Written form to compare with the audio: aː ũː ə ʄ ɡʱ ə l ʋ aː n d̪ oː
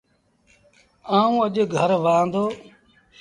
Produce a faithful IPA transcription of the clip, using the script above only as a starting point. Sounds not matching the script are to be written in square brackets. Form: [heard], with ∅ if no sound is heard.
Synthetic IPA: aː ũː ə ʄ ɡʱ ə [ɾ] ʋ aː n d̪ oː